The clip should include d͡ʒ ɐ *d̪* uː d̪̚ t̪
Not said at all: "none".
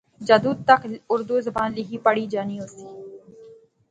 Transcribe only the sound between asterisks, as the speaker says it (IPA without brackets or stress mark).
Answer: d̪